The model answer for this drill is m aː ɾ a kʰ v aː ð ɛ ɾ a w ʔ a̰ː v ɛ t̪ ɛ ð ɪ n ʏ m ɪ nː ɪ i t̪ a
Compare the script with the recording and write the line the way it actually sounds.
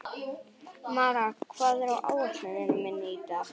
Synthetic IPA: m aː ɾ a kʰ v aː ð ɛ ɾ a w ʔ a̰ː w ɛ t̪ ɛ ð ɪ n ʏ m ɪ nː ɪ i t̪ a